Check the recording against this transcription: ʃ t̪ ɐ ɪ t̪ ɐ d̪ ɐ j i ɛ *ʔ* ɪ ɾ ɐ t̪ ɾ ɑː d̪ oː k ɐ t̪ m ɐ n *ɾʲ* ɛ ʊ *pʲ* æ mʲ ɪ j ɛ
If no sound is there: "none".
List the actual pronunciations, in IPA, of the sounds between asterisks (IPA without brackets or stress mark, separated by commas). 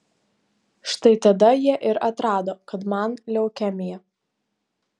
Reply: ʔ, lʲ, kʲ